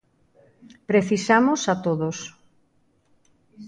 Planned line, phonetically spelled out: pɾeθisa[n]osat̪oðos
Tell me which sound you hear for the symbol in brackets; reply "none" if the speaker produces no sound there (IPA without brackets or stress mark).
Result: m